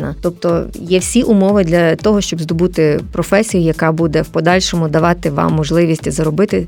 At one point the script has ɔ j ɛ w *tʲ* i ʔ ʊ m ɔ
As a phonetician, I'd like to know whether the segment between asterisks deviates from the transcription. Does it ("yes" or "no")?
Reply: yes